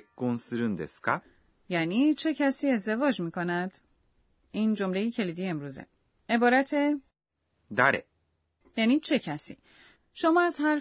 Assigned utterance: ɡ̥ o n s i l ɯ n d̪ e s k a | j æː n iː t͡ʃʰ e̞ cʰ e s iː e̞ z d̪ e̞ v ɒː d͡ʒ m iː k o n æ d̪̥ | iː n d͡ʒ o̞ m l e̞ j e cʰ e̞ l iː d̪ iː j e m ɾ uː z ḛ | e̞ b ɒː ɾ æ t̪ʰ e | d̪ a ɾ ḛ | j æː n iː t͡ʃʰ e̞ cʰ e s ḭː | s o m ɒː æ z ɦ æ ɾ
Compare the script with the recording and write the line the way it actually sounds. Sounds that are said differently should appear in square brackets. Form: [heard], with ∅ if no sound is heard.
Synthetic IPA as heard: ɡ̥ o n s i [ɾ] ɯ n d̪ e s k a | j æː n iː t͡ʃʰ e̞ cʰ [æ] s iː e̞ z d̪ e̞ v ɒː d͡ʒ m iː k o n æ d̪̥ | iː n d͡ʒ o̞ m l e̞ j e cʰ e̞ l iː d̪ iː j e m ɾ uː z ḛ | e̞ b ɒː ɾ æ t̪ʰ e | d̪ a ɾ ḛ | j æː n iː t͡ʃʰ e̞ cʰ [æ] s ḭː | [ʃ] o m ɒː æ z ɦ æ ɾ